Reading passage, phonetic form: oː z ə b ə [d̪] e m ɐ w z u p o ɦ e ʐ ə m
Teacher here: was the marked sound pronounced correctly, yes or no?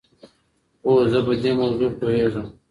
yes